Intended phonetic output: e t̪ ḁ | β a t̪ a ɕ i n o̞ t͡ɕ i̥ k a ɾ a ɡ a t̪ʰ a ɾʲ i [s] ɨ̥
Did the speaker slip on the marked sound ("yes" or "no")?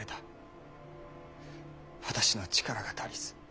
no